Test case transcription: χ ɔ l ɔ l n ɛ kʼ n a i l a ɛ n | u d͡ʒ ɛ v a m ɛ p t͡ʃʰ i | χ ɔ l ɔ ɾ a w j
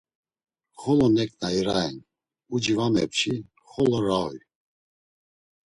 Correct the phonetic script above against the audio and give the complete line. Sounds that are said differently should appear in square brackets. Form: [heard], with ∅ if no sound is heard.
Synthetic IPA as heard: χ ɔ l ɔ [∅] n ɛ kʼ n a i [ɾ] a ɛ n | u d͡ʒ [i] v a m ɛ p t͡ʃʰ i | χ ɔ l ɔ ɾ a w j